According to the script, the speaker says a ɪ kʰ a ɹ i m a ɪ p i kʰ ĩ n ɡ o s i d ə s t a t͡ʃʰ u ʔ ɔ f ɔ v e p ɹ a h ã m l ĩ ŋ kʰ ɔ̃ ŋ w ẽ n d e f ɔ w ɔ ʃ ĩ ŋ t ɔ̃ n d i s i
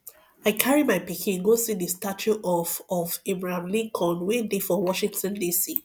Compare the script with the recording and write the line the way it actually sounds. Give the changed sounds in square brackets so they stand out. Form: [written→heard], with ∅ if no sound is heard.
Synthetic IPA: a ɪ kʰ a ɹ i m a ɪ p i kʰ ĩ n ɡ o s i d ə s t a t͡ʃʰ u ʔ ɔ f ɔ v e [p→b] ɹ a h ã m l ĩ ŋ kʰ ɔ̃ [ŋ→n] w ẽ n d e f ɔ w ɔ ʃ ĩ ŋ t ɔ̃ n d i s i